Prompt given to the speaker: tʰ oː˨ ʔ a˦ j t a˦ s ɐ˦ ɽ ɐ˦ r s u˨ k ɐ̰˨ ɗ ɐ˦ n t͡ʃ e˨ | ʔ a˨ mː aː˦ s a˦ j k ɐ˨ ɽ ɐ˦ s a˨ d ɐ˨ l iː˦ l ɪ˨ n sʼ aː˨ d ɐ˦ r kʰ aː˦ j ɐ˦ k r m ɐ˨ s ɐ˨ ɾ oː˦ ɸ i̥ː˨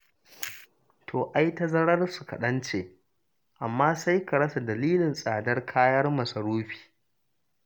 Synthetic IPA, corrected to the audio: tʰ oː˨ ʔ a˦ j t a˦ z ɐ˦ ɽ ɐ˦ r s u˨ k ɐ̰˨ ɗ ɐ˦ n t͡ʃ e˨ | ʔ a˨ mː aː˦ s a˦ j k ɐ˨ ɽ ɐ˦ s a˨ d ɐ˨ l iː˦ l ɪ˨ n sʼ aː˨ d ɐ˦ r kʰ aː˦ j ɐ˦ r m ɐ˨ s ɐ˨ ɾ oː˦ ɸ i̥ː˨